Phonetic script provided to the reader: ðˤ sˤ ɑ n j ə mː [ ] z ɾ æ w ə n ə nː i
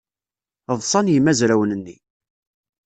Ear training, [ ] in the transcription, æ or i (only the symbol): æ